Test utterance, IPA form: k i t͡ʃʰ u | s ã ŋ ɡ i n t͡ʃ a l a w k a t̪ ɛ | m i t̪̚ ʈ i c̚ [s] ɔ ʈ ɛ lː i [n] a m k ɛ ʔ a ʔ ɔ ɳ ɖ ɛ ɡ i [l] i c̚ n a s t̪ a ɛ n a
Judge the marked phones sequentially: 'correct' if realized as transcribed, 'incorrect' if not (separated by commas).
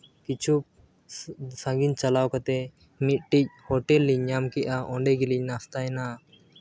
incorrect, incorrect, correct